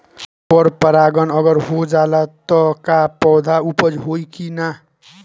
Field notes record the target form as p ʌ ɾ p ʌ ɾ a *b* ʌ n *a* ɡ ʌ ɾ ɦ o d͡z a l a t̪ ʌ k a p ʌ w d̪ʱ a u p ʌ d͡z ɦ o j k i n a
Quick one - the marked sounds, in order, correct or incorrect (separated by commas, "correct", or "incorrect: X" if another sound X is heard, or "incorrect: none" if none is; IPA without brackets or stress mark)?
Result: incorrect: ɡ, incorrect: ʌ